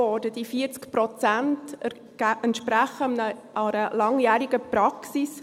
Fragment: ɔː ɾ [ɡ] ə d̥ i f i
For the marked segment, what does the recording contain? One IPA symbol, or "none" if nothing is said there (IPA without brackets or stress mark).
d